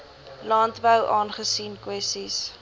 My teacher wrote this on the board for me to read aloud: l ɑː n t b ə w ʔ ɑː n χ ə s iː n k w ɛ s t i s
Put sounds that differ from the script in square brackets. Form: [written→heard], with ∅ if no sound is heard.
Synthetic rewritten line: l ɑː n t b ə w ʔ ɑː n χ ə s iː n k w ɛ s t i s